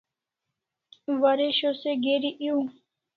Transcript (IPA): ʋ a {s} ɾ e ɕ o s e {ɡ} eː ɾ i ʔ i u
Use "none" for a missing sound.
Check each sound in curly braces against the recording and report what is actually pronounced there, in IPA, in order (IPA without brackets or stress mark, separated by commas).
none, ɡ